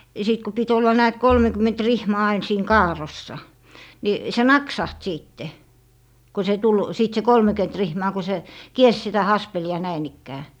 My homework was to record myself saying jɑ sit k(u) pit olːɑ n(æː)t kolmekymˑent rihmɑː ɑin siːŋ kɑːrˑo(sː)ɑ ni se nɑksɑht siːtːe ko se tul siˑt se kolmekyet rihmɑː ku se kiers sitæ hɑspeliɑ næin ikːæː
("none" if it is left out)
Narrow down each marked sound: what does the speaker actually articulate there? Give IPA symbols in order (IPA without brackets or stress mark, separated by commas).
u, æː, sː